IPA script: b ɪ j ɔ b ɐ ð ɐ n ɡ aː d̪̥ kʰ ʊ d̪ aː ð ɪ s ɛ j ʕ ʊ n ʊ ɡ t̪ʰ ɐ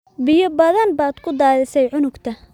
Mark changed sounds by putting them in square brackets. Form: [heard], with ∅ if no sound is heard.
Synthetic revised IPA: b ɪ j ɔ b ɐ ð ɐ n [b] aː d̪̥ kʰ ʊ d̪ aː ð ɪ s ɛ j ʕ ʊ n ʊ ɡ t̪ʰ ɐ